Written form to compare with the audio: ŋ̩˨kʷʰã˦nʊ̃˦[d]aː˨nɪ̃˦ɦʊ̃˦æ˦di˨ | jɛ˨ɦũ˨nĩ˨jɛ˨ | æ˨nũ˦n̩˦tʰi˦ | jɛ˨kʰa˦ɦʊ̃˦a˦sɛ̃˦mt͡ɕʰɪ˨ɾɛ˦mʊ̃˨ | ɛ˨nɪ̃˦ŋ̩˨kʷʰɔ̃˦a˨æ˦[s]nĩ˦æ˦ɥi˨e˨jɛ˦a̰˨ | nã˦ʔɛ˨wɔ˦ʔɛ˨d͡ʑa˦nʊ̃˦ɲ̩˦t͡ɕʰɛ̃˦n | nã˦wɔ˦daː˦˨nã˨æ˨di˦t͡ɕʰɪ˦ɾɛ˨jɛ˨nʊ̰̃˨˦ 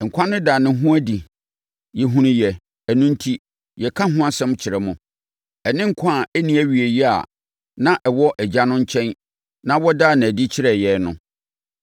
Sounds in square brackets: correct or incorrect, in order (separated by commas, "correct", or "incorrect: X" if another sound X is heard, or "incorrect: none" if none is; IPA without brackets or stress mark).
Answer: correct, incorrect: none